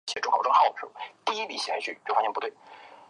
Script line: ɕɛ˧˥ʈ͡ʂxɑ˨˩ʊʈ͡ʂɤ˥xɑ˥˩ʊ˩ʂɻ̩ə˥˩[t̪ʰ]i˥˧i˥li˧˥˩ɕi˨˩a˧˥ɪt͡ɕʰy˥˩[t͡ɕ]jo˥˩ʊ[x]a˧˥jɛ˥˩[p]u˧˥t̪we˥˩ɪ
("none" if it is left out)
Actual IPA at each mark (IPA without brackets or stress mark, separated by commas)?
t̪, t͡ɕ, f, p